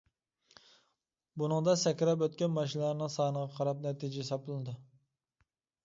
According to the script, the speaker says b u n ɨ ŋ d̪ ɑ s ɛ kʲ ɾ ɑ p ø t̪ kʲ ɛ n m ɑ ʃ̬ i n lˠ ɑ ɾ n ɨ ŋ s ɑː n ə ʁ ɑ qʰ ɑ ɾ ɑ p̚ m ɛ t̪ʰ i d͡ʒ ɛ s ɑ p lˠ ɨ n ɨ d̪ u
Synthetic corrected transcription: b u n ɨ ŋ d̪ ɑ s ɛ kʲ ɾ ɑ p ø t̪ kʲ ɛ n m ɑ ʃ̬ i n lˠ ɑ ɾ n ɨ ŋ s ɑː n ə ʁ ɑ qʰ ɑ ɾ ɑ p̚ n ɛ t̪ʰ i d͡ʒ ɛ s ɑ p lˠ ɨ n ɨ d̪ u